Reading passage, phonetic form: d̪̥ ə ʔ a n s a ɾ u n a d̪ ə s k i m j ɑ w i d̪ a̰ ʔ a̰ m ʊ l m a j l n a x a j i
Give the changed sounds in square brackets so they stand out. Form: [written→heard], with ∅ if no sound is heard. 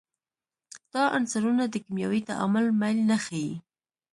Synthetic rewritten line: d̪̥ [ə→ɑ] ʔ a n s a ɾ u n a d̪ ə [s→∅] k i m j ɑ w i [d̪→t̪] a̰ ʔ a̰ m ʊ l m a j l n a x a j i